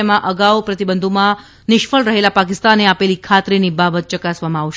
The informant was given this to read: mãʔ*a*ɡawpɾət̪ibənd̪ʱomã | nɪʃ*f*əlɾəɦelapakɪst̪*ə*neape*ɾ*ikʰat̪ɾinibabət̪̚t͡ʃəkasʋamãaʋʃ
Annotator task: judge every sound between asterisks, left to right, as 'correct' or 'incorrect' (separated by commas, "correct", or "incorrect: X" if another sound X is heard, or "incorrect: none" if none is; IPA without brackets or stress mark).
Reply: incorrect: ə, correct, incorrect: a, incorrect: l